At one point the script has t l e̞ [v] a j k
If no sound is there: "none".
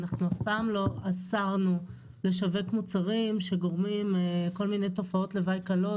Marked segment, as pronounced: v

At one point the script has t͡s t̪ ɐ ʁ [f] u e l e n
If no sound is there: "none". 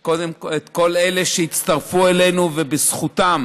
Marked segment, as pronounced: f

